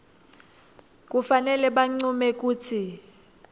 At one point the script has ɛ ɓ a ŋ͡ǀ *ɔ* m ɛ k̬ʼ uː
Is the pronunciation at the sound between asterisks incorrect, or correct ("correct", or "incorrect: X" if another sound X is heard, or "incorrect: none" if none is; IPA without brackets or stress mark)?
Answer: incorrect: u